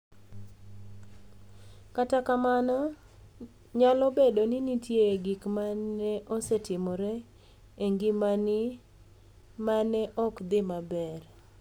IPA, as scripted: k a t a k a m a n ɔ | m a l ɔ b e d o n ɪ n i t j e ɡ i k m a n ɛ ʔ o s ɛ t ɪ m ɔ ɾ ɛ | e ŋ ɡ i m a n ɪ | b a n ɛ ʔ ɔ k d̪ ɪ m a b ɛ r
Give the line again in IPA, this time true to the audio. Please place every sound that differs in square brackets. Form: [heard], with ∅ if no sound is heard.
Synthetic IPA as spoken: k a t a k a m a n ɔ | [ɲ] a l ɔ b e d o n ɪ n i t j e ɡ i k m a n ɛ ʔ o s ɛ t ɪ m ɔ ɾ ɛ | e ŋ ɡ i m a n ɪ | [m] a n ɛ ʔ ɔ k d̪ ɪ m a b ɛ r